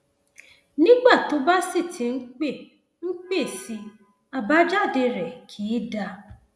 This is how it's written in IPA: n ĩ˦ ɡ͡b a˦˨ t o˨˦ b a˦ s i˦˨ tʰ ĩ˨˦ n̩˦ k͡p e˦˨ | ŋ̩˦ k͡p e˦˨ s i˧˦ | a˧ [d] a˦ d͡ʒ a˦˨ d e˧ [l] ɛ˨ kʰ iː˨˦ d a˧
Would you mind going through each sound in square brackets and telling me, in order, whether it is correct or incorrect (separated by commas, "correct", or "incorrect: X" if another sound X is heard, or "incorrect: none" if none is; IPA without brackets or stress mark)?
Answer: incorrect: b, incorrect: ɾ